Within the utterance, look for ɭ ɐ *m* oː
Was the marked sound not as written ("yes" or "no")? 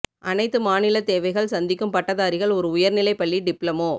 no